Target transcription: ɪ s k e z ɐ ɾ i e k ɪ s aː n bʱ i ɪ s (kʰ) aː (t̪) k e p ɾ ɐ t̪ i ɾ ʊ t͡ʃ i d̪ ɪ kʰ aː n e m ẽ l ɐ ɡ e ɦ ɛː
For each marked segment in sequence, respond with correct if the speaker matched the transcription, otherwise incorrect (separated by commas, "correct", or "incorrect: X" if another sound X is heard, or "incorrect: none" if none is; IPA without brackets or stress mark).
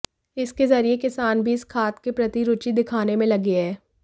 correct, correct